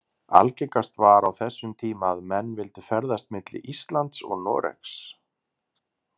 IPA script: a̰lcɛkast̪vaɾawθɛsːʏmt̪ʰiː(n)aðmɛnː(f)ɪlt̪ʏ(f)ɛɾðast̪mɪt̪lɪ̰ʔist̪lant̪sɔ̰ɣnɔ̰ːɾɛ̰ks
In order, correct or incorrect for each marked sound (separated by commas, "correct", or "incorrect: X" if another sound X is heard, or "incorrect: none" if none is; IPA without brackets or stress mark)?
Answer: incorrect: m, incorrect: v, correct